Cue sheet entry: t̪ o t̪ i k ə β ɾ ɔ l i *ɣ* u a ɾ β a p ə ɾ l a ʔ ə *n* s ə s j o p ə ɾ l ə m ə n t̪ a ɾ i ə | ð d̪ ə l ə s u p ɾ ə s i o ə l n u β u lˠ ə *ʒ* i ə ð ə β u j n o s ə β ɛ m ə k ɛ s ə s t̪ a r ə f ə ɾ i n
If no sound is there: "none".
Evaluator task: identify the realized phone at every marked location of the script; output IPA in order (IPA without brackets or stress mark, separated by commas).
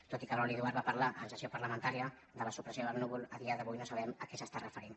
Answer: ð, n, ð